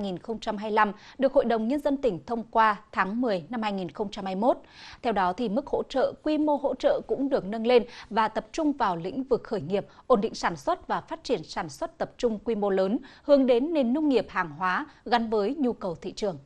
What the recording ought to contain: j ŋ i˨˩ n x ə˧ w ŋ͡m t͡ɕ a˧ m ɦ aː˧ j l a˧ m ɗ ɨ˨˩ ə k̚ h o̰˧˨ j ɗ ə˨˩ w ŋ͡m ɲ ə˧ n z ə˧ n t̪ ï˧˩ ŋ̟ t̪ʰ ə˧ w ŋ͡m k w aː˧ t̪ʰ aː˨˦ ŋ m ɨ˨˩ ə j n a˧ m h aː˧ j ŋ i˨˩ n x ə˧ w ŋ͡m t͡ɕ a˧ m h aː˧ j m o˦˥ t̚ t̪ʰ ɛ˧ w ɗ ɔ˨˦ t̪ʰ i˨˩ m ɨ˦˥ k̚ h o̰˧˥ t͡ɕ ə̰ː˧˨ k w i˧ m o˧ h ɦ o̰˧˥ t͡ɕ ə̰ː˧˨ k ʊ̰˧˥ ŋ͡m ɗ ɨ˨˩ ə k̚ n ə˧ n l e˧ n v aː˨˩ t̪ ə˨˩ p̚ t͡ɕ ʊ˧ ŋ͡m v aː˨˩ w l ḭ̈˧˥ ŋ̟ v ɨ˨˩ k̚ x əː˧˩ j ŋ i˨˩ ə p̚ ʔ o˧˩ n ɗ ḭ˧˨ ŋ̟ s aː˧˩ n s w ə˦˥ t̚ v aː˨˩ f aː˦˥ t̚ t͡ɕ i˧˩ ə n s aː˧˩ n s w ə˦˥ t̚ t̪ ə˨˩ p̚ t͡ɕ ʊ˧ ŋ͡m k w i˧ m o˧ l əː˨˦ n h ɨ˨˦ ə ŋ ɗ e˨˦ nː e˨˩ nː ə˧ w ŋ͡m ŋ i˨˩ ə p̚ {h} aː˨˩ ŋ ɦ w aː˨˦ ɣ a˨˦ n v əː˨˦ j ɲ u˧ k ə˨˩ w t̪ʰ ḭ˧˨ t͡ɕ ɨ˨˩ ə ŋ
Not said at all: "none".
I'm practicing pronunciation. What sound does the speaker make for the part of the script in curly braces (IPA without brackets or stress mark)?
h